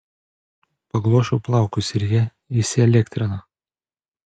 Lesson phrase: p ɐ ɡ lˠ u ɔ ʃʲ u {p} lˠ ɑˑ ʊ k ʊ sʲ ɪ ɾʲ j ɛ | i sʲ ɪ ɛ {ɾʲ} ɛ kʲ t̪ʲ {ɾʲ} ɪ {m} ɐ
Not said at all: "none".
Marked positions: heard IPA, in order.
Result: p, lʲ, ɾʲ, n

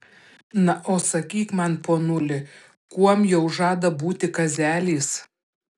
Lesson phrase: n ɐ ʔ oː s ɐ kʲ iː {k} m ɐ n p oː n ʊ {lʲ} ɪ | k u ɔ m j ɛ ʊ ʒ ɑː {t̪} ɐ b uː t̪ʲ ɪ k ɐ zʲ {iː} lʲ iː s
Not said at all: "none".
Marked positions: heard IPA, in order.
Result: k, lʲ, d̪, æː

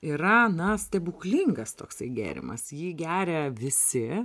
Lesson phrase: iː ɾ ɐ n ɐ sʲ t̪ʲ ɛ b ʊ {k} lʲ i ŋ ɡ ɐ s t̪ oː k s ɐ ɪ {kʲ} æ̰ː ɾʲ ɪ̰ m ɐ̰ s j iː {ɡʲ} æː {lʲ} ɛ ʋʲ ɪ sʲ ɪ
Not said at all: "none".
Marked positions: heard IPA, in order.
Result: k, ɡʲ, ɡʲ, ɾʲ

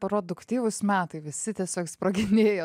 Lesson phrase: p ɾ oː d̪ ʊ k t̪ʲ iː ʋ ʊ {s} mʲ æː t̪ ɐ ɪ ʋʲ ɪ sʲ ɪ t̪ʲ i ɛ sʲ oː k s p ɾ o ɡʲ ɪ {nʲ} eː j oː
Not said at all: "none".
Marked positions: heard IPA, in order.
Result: s, nʲ

